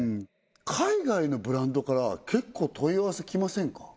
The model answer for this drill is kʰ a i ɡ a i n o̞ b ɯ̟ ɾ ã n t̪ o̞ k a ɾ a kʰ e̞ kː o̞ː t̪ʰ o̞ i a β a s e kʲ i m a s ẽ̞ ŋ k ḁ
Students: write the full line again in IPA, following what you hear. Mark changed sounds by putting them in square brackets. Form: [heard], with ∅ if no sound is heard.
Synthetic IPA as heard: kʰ a i ɡ a i n o̞ b ɯ̟ ɾ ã n [d̪] o̞ k a ɾ a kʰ e̞ kː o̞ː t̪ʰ o̞ i a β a s e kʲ i m a s ẽ̞ ŋ k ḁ